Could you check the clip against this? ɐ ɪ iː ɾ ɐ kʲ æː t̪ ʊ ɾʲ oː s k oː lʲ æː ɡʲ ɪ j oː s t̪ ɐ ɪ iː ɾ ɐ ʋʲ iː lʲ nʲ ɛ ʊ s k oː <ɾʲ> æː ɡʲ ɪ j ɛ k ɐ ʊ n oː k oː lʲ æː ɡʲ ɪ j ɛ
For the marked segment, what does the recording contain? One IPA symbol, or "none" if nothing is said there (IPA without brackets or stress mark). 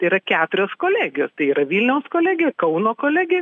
lʲ